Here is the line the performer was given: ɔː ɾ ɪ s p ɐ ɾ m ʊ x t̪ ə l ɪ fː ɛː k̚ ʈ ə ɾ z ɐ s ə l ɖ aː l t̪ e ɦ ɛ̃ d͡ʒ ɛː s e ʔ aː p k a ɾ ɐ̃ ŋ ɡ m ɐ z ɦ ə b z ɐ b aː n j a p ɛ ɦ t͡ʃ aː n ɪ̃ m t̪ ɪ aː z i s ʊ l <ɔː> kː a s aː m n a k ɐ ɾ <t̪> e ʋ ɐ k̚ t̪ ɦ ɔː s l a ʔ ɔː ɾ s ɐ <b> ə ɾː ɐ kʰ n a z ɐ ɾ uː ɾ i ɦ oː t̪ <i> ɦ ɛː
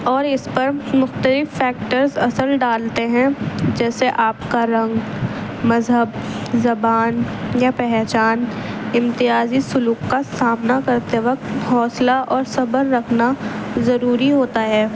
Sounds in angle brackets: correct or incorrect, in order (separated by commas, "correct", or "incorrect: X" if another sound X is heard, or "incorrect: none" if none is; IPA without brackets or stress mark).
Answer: incorrect: uː, correct, correct, incorrect: a